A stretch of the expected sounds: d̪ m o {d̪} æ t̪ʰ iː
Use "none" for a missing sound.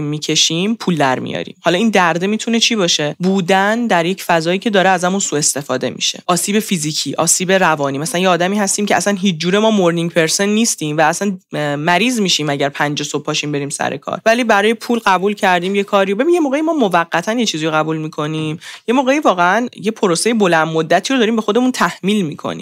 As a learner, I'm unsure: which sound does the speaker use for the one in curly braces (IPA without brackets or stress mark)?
d̪ː